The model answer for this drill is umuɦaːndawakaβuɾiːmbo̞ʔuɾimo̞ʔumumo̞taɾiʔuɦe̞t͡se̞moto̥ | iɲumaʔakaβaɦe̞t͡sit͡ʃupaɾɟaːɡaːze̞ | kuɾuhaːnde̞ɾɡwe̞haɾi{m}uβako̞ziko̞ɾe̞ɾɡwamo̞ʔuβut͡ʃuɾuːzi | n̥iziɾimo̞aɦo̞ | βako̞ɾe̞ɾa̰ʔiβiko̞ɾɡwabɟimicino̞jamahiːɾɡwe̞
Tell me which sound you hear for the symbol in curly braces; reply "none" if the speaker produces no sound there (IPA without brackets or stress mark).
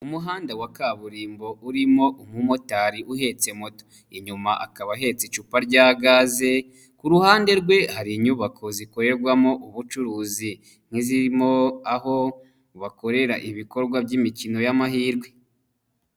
ɲ